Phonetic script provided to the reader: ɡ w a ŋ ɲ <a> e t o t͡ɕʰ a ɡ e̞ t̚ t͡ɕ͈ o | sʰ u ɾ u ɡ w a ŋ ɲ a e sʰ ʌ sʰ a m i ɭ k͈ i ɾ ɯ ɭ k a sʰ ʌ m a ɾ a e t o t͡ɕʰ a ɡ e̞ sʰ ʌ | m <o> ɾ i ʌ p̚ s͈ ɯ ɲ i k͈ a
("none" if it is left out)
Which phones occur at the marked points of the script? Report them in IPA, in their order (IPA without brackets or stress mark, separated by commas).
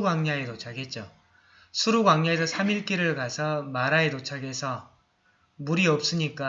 a, u